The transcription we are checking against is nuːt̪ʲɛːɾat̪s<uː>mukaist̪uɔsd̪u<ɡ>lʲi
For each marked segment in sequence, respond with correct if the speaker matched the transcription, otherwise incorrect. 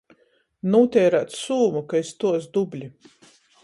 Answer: correct, incorrect

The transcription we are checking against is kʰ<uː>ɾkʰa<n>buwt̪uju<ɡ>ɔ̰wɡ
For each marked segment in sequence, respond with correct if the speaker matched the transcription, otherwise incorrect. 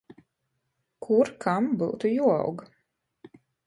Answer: incorrect, incorrect, incorrect

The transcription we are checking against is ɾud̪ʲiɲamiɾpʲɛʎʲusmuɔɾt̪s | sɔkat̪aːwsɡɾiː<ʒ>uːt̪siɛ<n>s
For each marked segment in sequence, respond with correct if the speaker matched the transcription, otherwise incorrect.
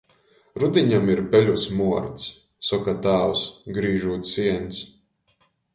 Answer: correct, correct

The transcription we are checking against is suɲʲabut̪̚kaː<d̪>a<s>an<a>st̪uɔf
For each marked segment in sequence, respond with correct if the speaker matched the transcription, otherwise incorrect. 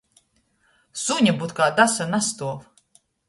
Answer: correct, correct, correct

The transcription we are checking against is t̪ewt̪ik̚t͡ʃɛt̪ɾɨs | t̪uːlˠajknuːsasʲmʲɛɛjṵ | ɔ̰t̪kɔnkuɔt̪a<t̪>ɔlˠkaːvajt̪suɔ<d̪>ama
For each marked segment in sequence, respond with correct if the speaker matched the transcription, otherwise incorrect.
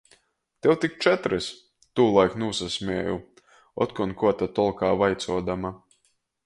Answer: correct, correct

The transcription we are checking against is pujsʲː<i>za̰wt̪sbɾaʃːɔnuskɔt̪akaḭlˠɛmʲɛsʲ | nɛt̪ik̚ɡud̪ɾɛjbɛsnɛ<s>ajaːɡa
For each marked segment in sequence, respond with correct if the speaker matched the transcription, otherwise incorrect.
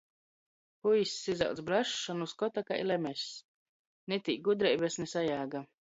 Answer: correct, correct

